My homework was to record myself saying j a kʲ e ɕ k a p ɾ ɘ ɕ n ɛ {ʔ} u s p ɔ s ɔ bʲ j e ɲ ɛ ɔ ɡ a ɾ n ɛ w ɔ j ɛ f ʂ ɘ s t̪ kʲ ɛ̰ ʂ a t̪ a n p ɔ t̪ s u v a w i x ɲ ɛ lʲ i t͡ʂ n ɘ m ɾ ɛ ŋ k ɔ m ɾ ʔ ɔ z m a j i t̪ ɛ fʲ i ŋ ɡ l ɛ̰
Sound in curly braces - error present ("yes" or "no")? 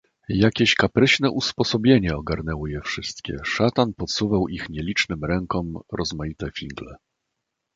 no